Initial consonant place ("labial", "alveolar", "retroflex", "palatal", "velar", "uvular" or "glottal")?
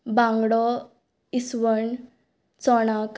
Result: labial